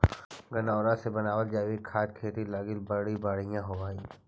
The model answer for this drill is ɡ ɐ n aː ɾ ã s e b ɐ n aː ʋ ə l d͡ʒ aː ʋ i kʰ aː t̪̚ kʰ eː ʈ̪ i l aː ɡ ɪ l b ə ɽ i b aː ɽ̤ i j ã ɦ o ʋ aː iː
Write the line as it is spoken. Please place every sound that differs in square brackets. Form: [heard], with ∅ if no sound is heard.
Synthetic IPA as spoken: ɡ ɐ n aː ɾ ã s e b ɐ n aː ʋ ə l d͡ʒ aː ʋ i kʰ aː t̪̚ kʰ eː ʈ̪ i l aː ɡ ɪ l b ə ɽ i b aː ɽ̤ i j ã ɦ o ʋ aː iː